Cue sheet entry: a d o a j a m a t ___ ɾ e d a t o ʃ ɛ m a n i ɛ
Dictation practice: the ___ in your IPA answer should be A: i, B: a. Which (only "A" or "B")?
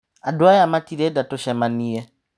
A